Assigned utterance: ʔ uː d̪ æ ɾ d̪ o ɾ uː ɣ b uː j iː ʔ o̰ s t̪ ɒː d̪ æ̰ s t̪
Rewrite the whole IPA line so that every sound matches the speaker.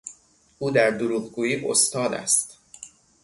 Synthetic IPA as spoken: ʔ uː d̪ æ ɾ d̪ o ɾ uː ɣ ɡ uː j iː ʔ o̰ s t̪ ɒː d̪ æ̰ s t̪